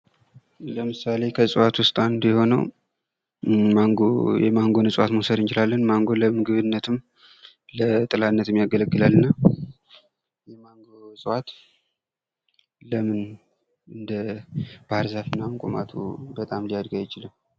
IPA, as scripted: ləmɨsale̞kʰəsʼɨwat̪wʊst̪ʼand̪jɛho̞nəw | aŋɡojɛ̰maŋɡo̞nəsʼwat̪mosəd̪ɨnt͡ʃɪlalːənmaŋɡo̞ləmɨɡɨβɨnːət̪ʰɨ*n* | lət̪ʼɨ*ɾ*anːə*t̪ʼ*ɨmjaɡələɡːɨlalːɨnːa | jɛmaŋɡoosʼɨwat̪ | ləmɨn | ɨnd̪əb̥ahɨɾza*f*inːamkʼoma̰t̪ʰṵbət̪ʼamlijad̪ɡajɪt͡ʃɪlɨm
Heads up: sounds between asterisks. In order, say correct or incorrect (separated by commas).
incorrect, incorrect, incorrect, correct